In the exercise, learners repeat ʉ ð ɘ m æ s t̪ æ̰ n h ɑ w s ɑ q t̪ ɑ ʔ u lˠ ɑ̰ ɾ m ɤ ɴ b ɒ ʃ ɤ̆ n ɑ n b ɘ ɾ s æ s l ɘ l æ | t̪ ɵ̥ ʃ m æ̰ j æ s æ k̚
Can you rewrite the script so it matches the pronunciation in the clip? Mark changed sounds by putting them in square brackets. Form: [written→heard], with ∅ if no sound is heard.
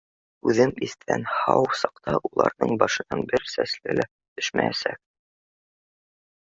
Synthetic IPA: ʉ ð ɘ m [æ→i] s t̪ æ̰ n h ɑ w s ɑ q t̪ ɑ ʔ u lˠ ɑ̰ ɾ [m→n] ɤ ɴ b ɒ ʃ ɤ̆ n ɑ n b ɘ ɾ s æ s l ɘ l æ | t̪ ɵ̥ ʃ m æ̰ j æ s æ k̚